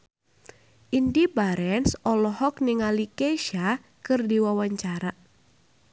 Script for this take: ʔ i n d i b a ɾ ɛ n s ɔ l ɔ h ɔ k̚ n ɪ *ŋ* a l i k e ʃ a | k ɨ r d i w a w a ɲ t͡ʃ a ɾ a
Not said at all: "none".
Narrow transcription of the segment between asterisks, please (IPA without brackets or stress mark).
ŋ